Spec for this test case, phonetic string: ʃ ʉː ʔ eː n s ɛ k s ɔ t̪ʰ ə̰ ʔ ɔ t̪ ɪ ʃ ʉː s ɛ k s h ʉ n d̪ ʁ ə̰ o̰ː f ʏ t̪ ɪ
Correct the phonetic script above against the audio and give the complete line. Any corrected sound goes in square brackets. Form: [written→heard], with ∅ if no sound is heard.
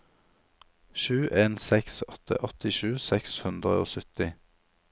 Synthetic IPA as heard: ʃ ʉː ʔ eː n s ɛ k s ɔ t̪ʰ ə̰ ʔ ɔ t̪ ɪ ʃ ʉː s ɛ k s h ʉ n d̪ ʁ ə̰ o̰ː [f→s] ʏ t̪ ɪ